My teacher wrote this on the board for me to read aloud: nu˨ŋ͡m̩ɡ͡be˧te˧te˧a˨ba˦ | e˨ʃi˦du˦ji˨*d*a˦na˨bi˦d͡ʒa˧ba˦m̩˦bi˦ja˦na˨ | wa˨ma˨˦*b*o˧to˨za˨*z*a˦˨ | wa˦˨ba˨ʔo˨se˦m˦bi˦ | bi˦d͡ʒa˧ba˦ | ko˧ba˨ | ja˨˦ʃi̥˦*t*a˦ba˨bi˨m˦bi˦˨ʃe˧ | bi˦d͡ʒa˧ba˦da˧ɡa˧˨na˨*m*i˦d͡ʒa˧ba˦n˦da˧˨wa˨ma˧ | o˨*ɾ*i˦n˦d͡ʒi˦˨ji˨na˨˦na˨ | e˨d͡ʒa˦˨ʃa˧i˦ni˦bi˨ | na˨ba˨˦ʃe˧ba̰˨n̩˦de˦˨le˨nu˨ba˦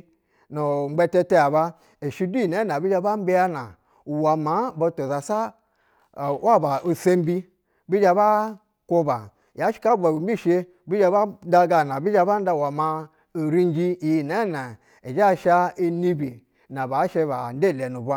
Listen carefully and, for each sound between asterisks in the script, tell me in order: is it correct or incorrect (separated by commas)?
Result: incorrect, correct, incorrect, incorrect, incorrect, correct